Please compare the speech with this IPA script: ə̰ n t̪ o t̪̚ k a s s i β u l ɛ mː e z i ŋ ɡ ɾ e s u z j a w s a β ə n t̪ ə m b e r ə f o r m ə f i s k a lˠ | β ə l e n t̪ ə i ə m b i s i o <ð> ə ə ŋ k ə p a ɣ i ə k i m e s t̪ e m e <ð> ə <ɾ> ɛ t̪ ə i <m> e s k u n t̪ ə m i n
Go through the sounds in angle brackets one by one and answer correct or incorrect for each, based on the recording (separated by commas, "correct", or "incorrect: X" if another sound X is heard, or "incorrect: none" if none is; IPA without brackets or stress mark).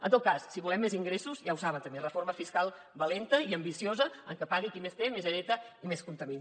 incorrect: z, incorrect: z, correct, correct